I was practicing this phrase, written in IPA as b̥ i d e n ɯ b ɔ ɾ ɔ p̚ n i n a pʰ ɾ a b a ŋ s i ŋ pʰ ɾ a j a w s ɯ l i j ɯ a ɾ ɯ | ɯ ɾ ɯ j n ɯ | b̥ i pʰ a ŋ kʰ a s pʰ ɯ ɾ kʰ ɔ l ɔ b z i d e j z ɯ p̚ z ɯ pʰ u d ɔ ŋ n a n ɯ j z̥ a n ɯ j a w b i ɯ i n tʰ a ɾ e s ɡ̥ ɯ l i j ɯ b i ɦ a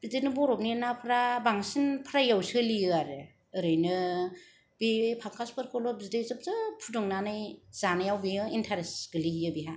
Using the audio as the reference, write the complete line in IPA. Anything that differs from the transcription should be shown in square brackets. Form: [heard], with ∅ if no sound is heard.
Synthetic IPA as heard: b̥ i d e n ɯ b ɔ ɾ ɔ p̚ n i n a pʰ ɾ a b a ŋ s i [n] pʰ ɾ a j a w s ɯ l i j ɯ a ɾ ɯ | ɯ ɾ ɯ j n ɯ | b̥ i pʰ a ŋ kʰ a s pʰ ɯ ɾ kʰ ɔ l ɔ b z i d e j z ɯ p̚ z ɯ pʰ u d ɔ ŋ n a n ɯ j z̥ a n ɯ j a w b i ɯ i n tʰ a ɾ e s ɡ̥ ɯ l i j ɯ b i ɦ a

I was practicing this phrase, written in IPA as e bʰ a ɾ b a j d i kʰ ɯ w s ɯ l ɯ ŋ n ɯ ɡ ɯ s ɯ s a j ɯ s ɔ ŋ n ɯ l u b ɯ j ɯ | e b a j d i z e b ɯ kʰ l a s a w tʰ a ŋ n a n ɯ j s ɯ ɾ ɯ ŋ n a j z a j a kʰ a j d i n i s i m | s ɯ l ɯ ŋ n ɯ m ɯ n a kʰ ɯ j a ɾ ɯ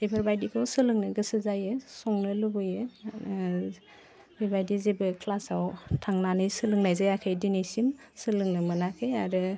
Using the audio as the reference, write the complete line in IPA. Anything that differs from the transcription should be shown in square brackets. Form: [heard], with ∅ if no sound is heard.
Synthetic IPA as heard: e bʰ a ɾ b a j d i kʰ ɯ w s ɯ l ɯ ŋ n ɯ ɡ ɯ s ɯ [z] a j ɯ s ɔ ŋ n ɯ l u b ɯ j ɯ | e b a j d i z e b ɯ kʰ l a s a w tʰ a ŋ n a n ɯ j s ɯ [l] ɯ ŋ n a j z a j a kʰ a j d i n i s i m | s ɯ l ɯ ŋ n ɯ m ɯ n a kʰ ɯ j a ɾ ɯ

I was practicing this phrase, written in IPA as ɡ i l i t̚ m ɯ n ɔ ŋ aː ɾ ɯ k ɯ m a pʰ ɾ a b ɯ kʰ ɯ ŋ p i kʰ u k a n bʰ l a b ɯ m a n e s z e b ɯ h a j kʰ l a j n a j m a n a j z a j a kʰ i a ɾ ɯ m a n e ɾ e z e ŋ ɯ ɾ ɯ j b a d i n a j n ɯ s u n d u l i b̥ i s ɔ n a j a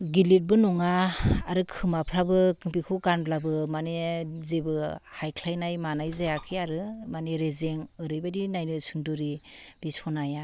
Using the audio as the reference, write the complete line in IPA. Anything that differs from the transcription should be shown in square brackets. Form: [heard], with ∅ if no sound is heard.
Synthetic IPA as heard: ɡ i l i t̚ [b] ɯ n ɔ ŋ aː ɾ ɯ [kʰ] ɯ m a pʰ ɾ a b ɯ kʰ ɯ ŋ p i kʰ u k a n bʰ l a b ɯ m a n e [∅] z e b ɯ h a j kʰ l a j n a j m a n a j z a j a kʰ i a ɾ ɯ m a n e ɾ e z e ŋ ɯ ɾ ɯ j b a d i n a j n ɯ s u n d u [ɾ] i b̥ i s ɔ n a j a

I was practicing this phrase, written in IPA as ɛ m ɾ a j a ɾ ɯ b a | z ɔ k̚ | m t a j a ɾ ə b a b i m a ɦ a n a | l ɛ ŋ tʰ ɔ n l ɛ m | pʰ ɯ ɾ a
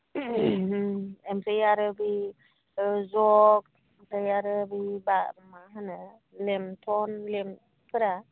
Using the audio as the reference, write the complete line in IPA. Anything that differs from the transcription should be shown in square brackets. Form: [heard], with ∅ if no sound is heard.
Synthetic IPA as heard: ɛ m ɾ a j a ɾ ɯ b [i] | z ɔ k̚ | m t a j a ɾ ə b [i] b [a] m a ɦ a n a | l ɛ [m] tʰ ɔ n l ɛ m | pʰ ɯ ɾ a

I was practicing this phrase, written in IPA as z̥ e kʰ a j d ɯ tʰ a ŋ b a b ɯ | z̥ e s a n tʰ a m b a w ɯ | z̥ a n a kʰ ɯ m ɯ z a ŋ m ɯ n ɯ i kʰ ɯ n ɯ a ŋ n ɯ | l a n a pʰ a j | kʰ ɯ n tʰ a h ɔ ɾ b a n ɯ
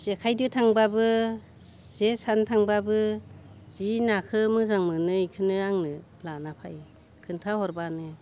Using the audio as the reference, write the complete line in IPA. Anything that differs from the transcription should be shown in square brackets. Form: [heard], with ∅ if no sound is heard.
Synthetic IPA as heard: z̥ e kʰ a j d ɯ tʰ a ŋ b a b ɯ | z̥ e s a n tʰ a [ŋ] b a [b] ɯ | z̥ [i] n a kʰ ɯ m ɯ z a ŋ m ɯ n ɯ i kʰ ɯ n ɯ a ŋ n ɯ | l a n a pʰ a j | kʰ ɯ n tʰ a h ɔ ɾ b a n ɯ

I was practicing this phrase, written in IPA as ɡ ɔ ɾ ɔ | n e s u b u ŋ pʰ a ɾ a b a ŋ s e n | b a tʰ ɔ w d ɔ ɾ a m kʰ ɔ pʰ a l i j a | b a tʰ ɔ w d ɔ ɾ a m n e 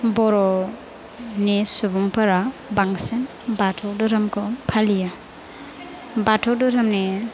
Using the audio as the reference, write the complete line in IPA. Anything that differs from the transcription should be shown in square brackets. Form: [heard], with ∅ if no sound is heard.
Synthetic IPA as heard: [b] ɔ ɾ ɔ | n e s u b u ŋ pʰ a ɾ a b a ŋ s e n | b a tʰ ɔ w d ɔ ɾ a m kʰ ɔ pʰ a l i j a | b a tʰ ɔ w d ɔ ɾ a m n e

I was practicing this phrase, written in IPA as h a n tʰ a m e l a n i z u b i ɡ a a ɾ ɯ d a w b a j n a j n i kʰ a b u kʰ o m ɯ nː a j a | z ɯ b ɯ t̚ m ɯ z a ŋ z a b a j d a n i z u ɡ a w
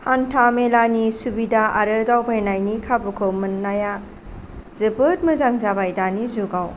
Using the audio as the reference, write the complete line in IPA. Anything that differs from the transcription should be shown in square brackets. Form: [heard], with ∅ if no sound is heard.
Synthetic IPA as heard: h a n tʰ a m e l a n i [s] u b i [d] a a ɾ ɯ d a w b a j n a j n i kʰ a b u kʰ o m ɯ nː a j a | z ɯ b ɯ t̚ m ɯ z a ŋ z a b a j d a n i z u ɡ a w

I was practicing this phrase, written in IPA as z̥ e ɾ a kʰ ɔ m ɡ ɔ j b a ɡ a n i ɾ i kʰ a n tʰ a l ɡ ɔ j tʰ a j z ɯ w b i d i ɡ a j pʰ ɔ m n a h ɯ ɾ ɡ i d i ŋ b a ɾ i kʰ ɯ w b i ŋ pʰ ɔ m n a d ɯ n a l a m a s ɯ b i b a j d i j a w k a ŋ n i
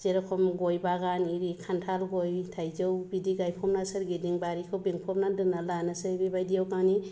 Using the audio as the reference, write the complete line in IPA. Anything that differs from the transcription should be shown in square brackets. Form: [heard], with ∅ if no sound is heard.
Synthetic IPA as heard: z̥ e ɾ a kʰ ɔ m ɡ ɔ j b a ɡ a n i ɾ i kʰ a n tʰ a l ɡ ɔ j tʰ a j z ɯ w b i d i ɡ a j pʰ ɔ m n a [s] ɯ ɾ ɡ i d i ŋ b a ɾ i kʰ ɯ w b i ŋ pʰ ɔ m n a d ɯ n a l a [n] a s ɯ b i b a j d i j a w k a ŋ n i

